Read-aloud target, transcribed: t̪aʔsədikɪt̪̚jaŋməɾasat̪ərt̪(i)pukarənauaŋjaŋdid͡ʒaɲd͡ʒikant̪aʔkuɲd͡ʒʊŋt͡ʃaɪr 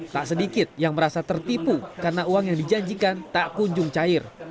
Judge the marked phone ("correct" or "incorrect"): correct